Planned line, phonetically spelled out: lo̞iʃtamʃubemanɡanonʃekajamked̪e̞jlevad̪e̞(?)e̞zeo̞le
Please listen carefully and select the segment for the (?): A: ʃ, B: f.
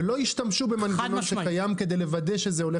A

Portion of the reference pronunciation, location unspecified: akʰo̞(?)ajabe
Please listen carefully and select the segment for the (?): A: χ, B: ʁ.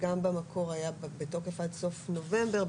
B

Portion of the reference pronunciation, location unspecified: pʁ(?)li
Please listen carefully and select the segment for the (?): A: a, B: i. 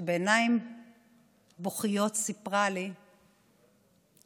A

